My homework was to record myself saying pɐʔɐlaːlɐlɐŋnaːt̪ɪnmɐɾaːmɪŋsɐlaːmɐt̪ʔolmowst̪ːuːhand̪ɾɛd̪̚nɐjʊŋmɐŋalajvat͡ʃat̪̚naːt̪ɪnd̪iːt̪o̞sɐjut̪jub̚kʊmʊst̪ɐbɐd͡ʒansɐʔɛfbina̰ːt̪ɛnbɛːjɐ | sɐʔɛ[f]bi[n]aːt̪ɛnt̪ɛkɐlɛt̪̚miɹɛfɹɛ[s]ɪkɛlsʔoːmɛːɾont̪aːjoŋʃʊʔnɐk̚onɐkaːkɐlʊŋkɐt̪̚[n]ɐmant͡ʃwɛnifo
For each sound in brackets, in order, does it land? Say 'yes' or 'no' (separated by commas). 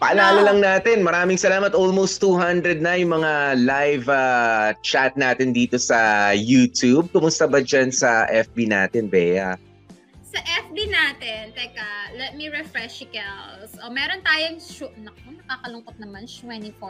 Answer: yes, yes, no, yes